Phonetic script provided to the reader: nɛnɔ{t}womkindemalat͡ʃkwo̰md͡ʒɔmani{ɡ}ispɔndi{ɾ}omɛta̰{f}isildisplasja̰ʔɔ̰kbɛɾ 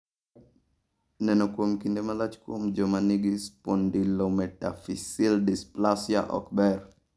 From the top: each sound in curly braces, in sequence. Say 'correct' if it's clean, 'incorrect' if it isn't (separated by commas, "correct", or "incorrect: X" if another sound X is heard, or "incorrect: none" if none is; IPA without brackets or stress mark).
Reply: incorrect: k, correct, incorrect: l, correct